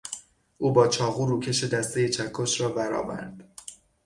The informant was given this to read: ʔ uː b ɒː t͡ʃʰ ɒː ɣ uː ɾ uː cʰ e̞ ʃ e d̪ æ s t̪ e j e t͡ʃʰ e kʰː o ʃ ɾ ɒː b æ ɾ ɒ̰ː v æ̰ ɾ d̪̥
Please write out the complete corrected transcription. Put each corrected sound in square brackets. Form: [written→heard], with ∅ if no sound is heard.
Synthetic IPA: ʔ uː b ɒː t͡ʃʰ ɒː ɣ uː ɾ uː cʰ e̞ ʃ e d̪ æ s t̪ e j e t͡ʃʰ [e→æ] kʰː o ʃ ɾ ɒː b æ ɾ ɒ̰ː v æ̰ ɾ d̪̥

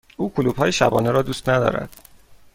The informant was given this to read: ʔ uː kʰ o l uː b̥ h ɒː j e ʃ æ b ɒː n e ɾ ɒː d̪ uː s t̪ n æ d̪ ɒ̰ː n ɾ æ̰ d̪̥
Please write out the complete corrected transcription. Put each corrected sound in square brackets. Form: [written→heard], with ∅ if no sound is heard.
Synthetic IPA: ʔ uː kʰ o l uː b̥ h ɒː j e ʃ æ b ɒː n e ɾ ɒː d̪ uː s t̪ n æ d̪ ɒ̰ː [n→∅] ɾ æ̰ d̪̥

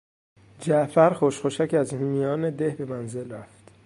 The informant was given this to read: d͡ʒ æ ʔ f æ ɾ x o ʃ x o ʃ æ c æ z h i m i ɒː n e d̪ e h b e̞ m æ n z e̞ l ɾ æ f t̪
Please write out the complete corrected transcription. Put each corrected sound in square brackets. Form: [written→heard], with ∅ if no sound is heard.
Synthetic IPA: d͡ʒ æ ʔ f æ ɾ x o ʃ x o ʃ æ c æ z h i m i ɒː n e d̪ e h b e̞ m æ n z e̞ l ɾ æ f t̪

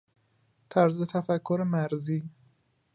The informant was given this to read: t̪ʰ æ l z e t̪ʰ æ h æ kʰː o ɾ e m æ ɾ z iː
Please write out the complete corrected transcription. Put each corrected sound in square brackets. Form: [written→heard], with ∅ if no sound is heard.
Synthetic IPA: t̪ʰ æ [l→ɾ] z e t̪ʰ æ [h→f] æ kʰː o ɾ e m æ ɾ z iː

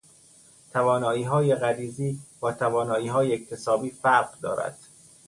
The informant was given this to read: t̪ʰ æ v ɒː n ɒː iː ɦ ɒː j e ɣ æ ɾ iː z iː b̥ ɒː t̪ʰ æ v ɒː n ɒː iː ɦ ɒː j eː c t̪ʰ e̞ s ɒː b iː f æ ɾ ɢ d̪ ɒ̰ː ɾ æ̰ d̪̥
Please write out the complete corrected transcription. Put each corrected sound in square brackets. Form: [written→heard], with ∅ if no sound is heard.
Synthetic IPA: t̪ʰ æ v ɒː n ɒː iː ɦ ɒː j e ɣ æ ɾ iː z iː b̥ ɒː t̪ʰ æ v ɒː n ɒː iː ɦ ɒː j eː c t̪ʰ e̞ s ɒː b iː f æ ɾ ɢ d̪ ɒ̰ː ɾ æ̰ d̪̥

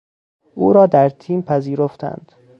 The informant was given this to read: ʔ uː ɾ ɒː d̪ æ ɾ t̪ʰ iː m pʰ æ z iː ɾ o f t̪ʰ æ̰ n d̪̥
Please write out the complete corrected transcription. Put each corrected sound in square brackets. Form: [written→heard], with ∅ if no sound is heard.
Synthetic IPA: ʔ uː ɾ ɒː d̪ æ ɾ t̪ʰ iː m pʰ æ z iː ɾ o f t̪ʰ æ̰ n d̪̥

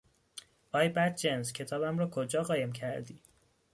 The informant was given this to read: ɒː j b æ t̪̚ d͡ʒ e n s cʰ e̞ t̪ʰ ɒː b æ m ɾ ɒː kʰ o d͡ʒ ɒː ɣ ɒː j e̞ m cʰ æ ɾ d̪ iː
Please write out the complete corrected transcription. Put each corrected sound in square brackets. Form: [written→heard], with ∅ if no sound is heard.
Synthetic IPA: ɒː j b æ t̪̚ d͡ʒ e n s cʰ e̞ t̪ʰ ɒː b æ m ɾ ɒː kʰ o d͡ʒ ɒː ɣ ɒː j e̞ m cʰ æ ɾ d̪ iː

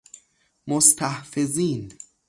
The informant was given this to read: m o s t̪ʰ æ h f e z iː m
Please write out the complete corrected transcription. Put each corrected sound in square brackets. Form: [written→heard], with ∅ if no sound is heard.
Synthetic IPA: m o s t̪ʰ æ h f e z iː [m→n]

